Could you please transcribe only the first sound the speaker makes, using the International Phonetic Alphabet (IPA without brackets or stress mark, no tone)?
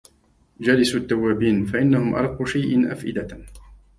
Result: d͡ʒ